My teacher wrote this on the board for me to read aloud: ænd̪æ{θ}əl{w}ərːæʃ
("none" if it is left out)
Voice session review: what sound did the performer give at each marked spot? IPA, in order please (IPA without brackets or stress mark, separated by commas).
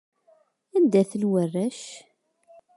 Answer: θ, w